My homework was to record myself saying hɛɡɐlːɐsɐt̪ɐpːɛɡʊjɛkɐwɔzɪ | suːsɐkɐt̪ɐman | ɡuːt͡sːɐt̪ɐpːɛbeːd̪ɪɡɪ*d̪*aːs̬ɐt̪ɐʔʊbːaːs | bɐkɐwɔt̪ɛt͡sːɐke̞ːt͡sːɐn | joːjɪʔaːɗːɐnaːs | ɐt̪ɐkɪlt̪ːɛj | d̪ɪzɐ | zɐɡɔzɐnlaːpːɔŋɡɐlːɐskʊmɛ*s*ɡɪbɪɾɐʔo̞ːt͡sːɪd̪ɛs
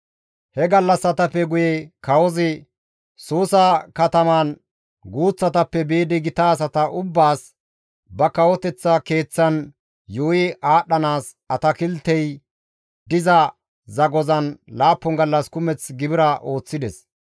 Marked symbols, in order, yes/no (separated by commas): no, no